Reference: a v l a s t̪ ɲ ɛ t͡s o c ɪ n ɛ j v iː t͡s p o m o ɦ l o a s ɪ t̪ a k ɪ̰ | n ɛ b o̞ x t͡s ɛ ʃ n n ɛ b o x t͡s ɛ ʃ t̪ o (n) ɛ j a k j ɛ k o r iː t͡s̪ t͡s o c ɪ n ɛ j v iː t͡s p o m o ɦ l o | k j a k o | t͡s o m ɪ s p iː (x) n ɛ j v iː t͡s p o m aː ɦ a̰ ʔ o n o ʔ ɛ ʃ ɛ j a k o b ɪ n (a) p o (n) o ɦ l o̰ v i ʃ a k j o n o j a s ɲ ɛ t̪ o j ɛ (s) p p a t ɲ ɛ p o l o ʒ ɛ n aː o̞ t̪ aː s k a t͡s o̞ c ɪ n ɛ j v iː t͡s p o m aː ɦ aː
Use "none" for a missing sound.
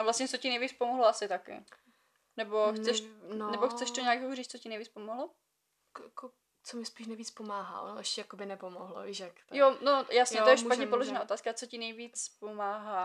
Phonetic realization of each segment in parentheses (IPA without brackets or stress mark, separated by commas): ɲ, ʃ, ɛ, m, ʃ